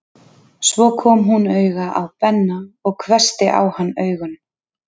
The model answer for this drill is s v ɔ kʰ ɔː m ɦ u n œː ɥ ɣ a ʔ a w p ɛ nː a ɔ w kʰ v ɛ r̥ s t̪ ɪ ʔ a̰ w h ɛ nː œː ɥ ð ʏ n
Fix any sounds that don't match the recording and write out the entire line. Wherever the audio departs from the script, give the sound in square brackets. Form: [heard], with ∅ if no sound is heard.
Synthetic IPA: s v ɔ kʰ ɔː m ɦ u n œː ɥ ɣ a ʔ a w p ɛ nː a ɔ [ɣ] kʰ v ɛ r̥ s t̪ ɪ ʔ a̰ w h [a] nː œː ɥ [ɣ] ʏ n